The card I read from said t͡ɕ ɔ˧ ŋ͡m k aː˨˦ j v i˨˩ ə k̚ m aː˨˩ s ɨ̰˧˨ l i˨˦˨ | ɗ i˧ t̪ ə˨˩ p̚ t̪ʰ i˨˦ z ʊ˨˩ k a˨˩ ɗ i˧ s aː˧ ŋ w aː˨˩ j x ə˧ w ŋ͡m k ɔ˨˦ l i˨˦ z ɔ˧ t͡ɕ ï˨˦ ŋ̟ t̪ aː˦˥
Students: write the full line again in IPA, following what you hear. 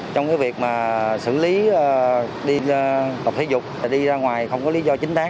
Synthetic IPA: t͡ɕ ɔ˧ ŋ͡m k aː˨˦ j v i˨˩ ə k̚ m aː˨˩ s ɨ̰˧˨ l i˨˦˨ | ɗ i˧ t̪ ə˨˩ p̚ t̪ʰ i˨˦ z ʊ˨˩ k͡p̚ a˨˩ ɗ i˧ z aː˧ ŋ w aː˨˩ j x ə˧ w ŋ͡m k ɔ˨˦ l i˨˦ z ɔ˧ t͡ɕ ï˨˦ ŋ̟ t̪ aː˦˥